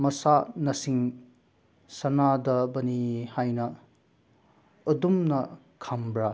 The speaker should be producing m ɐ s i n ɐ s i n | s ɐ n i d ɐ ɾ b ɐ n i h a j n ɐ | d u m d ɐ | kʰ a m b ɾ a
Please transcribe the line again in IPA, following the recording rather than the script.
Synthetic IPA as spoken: m ɐ s a n ɐ s i ŋ | s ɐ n a d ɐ b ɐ n i h a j n ɐ | d u m n ɐ | kʰ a m b ɾ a